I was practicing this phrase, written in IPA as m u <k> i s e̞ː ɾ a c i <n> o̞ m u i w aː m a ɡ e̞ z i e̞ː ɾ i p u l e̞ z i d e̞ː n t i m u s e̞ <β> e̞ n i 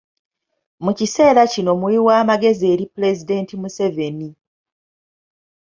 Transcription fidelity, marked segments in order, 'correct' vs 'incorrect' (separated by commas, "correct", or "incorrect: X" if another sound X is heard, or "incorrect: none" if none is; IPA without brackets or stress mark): incorrect: c, correct, incorrect: v